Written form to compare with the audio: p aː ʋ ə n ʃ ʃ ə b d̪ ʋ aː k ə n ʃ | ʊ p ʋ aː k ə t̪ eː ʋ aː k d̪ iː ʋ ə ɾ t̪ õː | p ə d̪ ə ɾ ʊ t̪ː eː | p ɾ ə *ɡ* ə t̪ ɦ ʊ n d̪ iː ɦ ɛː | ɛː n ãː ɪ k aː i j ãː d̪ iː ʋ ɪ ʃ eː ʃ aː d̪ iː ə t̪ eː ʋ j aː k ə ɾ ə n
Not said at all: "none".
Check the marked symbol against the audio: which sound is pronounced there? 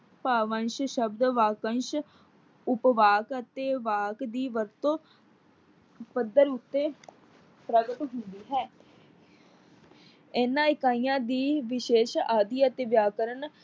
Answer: ɡ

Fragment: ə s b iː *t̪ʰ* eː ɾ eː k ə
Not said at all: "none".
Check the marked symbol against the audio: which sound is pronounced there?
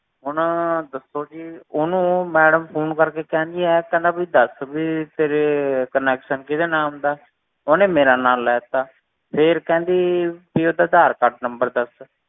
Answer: t̪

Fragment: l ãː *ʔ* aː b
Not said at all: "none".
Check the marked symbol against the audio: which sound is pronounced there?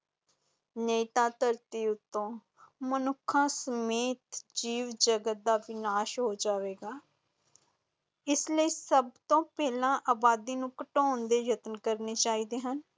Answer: ʔ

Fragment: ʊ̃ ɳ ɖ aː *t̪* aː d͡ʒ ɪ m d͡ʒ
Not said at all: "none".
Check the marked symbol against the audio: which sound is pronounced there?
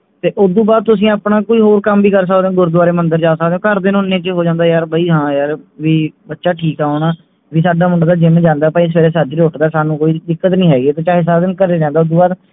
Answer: d̪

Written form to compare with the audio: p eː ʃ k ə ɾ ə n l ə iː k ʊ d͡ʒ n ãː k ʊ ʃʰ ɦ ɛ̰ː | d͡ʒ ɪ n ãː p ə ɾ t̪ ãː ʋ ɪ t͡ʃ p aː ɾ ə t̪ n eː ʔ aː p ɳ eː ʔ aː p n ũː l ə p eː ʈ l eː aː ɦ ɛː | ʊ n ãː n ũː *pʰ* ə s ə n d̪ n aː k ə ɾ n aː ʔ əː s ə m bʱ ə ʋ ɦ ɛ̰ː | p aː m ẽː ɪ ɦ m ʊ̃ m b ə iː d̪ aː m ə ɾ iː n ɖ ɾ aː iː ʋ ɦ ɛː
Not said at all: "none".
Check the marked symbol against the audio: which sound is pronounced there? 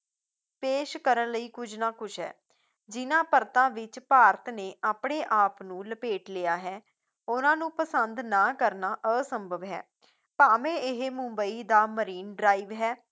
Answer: p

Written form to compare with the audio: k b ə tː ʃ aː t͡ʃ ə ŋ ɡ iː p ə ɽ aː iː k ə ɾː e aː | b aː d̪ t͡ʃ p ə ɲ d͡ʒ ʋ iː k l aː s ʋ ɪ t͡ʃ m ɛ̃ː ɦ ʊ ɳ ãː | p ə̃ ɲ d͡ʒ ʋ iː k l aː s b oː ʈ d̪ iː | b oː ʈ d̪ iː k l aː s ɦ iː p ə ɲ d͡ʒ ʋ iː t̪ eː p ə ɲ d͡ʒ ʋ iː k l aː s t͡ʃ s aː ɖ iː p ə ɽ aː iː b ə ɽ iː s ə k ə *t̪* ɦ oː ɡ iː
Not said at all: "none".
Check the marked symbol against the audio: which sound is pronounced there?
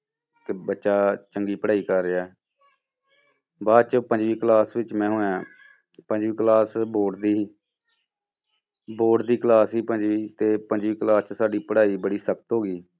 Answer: t̪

